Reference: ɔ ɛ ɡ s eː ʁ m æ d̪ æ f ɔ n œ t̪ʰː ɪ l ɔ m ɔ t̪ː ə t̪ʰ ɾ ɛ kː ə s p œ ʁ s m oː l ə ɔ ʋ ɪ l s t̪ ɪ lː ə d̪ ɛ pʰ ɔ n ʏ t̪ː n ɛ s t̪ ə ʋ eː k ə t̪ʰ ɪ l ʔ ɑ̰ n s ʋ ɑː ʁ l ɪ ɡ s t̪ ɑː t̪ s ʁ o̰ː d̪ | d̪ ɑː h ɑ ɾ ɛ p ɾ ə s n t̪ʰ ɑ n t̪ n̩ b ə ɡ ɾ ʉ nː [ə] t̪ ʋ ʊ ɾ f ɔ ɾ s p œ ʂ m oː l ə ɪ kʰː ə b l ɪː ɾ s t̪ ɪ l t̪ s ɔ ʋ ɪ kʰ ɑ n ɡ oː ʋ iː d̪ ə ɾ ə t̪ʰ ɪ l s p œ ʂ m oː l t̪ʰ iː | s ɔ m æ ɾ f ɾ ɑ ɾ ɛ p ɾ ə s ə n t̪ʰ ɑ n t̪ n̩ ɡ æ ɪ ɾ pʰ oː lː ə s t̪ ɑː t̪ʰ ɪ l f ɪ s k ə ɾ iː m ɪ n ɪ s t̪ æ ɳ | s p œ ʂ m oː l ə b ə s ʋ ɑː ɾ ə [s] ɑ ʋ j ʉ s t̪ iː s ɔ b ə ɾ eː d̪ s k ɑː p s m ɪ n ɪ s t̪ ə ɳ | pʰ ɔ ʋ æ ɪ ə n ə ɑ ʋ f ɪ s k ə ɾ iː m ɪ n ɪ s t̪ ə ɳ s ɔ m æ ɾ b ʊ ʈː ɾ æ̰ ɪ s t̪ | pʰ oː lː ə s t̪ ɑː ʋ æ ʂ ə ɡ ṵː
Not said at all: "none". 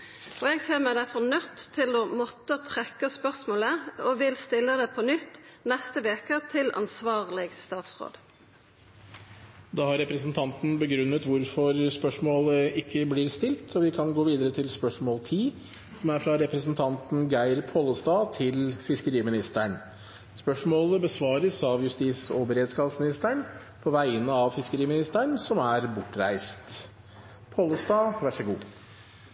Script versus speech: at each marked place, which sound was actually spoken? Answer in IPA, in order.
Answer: ə, s

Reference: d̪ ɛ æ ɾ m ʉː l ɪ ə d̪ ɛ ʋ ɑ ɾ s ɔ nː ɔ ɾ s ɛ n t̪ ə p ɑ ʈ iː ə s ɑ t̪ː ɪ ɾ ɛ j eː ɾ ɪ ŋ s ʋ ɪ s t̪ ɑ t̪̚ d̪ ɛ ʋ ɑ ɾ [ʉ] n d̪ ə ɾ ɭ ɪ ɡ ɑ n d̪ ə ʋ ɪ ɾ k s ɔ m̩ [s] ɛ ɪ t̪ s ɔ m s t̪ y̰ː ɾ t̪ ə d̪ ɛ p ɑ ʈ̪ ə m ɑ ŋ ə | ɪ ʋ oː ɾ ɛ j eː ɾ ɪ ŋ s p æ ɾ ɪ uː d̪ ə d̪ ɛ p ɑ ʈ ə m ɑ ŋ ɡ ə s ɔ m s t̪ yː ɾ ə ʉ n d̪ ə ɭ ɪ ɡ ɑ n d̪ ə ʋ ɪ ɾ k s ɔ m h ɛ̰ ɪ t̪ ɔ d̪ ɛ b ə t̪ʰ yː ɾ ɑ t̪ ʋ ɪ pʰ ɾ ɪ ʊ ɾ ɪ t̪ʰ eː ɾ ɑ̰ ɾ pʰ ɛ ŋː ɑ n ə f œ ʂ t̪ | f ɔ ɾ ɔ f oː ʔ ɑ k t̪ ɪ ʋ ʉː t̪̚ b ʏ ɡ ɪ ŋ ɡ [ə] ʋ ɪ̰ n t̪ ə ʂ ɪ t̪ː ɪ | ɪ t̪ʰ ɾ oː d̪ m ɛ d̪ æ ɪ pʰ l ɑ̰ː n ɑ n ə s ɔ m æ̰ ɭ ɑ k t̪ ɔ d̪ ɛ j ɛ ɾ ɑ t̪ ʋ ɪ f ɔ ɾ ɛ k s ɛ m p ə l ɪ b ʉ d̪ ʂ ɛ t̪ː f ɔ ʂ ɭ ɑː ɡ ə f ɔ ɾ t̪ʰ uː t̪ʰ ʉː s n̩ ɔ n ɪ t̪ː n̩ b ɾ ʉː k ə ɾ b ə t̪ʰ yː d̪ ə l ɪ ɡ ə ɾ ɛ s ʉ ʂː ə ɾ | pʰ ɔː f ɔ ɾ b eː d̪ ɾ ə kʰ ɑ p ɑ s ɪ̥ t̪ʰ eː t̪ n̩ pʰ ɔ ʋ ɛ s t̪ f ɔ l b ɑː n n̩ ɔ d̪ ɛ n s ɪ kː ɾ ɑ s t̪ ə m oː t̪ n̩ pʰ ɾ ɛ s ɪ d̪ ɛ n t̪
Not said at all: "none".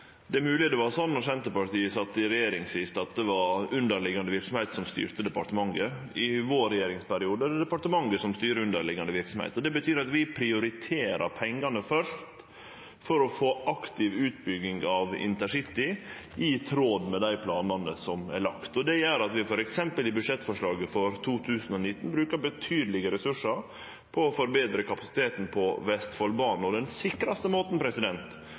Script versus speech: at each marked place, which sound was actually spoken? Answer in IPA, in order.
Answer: ʉ, h, ɑ

